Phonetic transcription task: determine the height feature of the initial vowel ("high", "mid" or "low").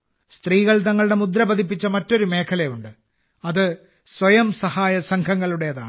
high